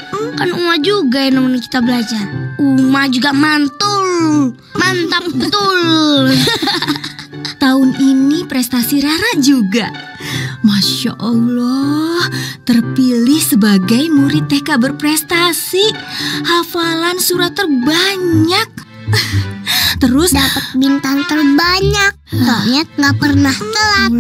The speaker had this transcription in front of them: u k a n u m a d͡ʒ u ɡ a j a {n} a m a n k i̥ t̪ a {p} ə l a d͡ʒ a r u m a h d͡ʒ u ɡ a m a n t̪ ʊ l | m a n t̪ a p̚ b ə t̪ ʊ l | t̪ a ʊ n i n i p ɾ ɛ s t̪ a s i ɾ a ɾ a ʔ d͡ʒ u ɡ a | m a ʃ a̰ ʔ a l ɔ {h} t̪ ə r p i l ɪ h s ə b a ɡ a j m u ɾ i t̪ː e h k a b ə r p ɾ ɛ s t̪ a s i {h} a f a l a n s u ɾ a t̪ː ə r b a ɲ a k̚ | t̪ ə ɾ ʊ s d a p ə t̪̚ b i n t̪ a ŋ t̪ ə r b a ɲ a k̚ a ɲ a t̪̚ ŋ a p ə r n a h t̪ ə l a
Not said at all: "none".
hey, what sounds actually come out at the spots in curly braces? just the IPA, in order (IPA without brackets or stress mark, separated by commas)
n, b, h, h